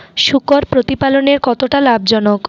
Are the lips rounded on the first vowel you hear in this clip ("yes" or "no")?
yes